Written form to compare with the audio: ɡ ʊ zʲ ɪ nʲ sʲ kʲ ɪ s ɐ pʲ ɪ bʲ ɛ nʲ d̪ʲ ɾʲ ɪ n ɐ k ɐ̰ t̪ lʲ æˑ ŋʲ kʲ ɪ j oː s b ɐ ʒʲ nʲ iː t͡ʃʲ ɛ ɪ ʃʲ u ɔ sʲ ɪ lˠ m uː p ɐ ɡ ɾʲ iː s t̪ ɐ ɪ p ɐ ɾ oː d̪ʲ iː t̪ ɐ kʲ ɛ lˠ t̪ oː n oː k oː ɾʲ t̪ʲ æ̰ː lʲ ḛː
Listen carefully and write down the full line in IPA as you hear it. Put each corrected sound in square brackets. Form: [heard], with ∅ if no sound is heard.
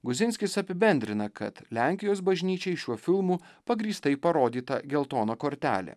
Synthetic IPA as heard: ɡ ʊ zʲ ɪ nʲ sʲ kʲ ɪ s ɐ pʲ ɪ bʲ ɛ nʲ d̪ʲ ɾʲ ɪ n ɐ k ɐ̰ t̪ lʲ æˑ ŋʲ kʲ ɪ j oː s b ɐ ʒʲ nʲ iː t͡ʃʲ ɛ ɪ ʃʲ u ɔ [fʲ] ɪ lˠ m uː p ɐ ɡ ɾʲ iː s t̪ ɐ ɪ p ɐ ɾ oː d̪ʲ iː t̪ ɐ [ɡʲ] ɛ lˠ t̪ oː n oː k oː ɾʲ t̪ʲ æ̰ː lʲ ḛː

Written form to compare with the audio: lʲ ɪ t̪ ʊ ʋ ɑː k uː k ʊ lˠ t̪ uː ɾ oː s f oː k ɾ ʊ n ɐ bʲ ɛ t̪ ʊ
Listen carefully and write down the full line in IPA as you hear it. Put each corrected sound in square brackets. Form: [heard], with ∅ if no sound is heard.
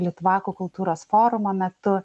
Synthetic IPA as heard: lʲ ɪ t̪ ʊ ʋ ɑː k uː k ʊ lˠ t̪ uː ɾ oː s f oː [∅] ɾ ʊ [m] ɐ [mʲ] ɛ t̪ ʊ

